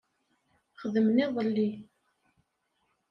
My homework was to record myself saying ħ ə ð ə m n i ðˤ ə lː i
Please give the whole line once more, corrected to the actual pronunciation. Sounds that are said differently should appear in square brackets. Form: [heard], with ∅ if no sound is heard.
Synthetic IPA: [χ] ə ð ə m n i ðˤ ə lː i

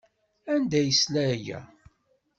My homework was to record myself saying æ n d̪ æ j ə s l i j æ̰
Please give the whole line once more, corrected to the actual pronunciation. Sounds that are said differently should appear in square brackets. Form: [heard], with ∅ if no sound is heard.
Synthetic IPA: æ n d̪ æ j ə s l [æ] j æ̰

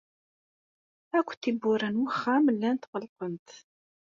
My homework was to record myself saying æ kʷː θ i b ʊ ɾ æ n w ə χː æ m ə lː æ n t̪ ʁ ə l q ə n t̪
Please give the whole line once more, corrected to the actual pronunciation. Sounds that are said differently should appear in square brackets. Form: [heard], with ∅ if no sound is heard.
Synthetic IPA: æ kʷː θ i b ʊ ɾ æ n w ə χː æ m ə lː æ n t̪ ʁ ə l q ə n t̪

